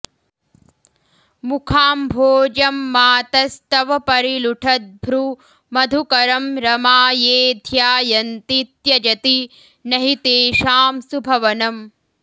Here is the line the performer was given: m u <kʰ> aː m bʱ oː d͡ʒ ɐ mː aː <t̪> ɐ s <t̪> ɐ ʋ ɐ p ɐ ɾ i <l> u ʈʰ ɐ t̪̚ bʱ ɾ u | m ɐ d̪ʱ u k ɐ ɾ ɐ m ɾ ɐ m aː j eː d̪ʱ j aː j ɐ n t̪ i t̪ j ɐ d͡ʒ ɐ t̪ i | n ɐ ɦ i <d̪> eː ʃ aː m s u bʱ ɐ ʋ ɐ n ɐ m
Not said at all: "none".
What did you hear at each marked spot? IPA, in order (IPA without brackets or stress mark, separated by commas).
kʰ, t̪, t̪, l, t̪